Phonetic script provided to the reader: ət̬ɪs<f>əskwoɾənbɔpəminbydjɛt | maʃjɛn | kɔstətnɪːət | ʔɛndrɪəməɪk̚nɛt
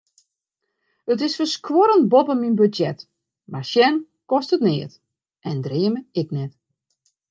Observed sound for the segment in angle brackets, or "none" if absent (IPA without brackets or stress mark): f